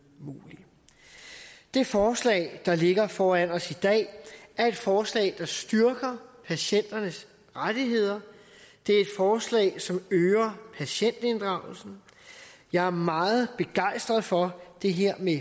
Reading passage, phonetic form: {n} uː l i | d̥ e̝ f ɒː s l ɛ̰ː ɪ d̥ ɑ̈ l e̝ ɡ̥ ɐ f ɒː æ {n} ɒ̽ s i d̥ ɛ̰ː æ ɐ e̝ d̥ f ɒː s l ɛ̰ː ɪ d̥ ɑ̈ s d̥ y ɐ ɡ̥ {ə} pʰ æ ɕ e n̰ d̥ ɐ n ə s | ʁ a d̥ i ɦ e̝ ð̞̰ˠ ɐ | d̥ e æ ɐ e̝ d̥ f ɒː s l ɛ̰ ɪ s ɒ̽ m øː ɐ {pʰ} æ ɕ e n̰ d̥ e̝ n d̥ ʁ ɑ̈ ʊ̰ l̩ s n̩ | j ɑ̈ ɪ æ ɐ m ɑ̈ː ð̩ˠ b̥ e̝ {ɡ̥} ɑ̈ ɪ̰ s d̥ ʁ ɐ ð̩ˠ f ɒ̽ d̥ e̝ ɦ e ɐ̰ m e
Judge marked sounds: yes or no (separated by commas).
no, yes, no, yes, yes